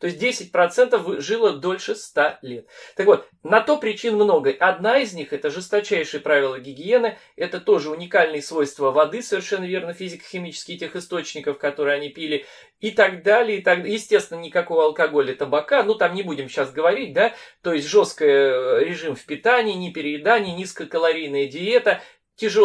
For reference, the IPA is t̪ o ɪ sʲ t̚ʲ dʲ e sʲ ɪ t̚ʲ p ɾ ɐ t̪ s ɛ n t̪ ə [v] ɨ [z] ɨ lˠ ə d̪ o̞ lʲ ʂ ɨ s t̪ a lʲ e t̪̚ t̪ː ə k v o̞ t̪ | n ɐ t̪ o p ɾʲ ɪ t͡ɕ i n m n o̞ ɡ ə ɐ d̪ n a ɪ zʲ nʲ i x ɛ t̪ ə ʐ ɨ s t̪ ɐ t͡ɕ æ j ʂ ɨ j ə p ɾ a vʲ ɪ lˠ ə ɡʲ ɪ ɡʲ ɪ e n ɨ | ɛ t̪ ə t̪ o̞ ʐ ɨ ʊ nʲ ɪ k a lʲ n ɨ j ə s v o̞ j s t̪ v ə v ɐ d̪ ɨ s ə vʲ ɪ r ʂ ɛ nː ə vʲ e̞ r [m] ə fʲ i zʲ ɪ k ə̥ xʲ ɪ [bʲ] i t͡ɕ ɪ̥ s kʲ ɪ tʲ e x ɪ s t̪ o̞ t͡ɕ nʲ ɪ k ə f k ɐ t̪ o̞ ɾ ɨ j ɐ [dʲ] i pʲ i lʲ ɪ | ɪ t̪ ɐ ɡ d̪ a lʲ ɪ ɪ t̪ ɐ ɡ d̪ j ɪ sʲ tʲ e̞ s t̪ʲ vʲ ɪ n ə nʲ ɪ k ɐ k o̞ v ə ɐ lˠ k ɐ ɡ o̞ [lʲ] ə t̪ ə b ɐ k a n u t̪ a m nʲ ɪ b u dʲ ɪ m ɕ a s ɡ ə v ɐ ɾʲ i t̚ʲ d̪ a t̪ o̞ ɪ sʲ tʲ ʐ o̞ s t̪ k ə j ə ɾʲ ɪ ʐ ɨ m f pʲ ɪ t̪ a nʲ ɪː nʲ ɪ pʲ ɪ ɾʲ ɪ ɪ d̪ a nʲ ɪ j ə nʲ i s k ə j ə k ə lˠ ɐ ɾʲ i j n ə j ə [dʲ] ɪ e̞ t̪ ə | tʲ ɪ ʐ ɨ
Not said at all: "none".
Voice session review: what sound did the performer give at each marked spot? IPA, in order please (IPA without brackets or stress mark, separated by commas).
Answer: f, ʐ, n, mʲ, nʲ, lʲ, dʲ